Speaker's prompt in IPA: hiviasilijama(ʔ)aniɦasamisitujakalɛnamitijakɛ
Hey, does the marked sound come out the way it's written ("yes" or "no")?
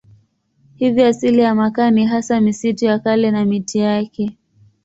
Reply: no